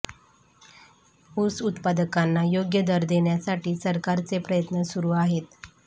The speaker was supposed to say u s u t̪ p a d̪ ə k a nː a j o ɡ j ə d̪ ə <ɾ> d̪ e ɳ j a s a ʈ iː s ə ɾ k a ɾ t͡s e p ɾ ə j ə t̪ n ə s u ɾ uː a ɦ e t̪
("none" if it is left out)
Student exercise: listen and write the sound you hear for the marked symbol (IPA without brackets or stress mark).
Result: ɾ